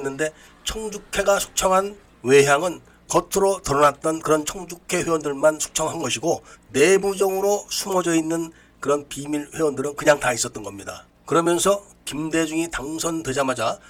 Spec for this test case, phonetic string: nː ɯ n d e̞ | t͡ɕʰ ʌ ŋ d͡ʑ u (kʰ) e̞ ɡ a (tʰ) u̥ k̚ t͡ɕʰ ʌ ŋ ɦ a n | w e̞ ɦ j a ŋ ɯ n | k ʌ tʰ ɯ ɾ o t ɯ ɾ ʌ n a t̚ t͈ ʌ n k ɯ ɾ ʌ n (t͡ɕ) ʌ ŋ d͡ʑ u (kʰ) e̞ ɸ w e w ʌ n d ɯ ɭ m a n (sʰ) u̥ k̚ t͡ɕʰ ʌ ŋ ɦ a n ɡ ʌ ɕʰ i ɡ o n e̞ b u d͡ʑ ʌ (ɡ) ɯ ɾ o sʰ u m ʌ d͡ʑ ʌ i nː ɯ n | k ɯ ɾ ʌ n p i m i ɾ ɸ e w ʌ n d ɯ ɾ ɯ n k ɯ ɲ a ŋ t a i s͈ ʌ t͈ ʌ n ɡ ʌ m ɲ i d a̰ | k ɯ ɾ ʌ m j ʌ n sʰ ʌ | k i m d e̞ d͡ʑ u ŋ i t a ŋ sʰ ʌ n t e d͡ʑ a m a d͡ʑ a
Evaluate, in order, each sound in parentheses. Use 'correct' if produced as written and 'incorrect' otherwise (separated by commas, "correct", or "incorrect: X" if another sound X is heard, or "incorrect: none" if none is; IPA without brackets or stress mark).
correct, incorrect: sʰ, incorrect: t͡ɕʰ, correct, correct, incorrect: ŋ